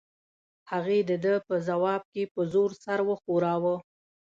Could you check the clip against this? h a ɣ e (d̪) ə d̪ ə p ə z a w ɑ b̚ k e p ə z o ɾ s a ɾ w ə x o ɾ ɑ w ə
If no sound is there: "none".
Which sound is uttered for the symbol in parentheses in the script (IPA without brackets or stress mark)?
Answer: d̪